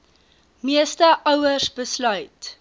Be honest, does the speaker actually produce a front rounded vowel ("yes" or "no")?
yes